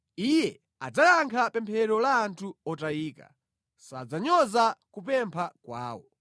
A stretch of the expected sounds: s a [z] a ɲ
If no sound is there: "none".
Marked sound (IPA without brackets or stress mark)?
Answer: d͡z